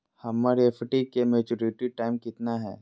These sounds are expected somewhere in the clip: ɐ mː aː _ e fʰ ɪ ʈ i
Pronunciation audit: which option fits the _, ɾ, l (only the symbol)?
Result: ɾ